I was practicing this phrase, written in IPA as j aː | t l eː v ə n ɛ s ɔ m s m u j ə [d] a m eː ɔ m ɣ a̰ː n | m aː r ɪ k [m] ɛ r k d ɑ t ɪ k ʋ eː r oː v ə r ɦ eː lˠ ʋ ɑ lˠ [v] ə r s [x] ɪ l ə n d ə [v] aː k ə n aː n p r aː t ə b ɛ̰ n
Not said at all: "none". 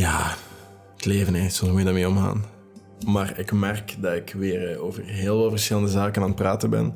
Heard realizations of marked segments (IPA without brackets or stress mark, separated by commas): d, m, v, x, z